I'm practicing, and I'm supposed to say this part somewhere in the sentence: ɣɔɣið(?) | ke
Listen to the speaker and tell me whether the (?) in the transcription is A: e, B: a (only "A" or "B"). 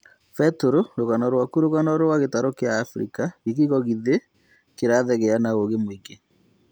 A